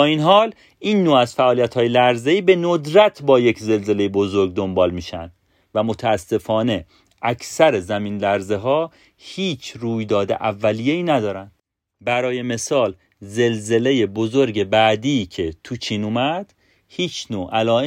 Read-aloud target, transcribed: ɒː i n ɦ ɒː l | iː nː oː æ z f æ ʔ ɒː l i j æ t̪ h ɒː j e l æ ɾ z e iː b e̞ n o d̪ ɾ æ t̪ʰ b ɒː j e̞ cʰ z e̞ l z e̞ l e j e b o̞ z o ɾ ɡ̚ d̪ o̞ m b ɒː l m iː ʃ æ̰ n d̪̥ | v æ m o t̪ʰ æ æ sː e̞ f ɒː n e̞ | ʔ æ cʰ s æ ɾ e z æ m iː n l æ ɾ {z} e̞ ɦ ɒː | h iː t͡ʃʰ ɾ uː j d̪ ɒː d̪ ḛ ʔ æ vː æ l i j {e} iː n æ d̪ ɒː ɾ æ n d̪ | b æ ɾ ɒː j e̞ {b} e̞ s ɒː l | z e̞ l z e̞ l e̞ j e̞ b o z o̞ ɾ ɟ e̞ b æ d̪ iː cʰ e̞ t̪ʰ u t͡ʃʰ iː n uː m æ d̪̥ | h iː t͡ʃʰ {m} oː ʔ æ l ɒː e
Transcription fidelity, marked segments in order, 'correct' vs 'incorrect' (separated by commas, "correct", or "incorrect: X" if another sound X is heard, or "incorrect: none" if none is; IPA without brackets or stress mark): correct, correct, incorrect: m, incorrect: n